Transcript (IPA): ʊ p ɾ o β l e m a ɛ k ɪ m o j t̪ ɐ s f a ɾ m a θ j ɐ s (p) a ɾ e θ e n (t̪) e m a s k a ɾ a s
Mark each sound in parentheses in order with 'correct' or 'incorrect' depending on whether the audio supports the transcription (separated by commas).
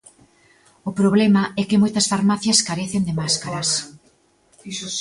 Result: incorrect, incorrect